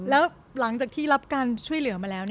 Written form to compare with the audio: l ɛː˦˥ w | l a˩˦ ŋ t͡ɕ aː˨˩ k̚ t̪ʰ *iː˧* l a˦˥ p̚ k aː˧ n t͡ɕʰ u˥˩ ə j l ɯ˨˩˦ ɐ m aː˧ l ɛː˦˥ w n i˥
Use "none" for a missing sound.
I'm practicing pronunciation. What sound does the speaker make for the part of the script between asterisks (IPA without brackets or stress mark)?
iː˥˩